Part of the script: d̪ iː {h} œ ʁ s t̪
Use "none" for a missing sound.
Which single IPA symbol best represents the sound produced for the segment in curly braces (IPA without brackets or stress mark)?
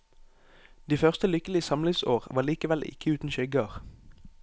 f